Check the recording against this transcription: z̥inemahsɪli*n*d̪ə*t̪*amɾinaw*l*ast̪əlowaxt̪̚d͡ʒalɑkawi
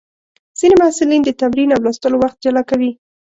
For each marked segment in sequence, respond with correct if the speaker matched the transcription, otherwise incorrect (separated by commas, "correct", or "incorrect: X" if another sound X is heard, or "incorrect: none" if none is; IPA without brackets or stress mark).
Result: correct, correct, correct